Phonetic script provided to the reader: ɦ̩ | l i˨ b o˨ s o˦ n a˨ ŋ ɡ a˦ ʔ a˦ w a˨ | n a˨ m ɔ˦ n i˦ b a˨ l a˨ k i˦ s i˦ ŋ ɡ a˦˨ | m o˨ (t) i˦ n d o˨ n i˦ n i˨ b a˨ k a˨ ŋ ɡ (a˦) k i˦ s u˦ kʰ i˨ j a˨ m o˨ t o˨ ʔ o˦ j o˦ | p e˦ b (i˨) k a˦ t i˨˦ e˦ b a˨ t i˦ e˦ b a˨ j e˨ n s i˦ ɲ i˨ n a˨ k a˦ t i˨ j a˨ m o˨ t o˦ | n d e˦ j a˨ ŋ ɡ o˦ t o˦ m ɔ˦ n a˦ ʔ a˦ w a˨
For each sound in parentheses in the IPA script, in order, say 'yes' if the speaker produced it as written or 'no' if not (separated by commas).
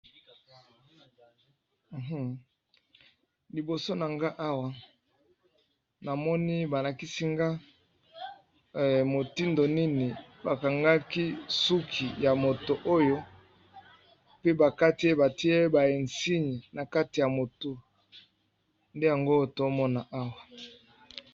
yes, yes, no